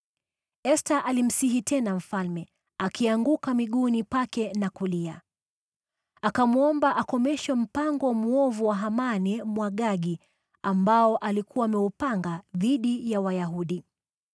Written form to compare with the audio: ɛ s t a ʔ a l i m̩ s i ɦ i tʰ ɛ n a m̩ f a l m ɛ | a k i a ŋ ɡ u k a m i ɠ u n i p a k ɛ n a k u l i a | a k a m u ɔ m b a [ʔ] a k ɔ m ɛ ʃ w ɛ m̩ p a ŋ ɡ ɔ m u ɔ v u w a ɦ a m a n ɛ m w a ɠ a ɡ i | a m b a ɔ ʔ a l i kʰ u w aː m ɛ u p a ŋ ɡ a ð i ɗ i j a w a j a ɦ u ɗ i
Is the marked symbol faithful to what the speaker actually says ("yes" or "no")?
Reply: yes